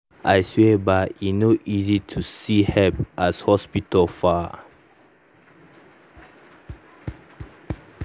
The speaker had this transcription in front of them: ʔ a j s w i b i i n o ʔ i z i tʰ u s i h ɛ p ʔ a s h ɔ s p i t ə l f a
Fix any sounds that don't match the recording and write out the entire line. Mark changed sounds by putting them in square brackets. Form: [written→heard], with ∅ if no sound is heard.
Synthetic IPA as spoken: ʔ a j s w [i→e] b [i→a] i n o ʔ i z i tʰ u s i h ɛ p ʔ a s h ɔ s p i t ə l f a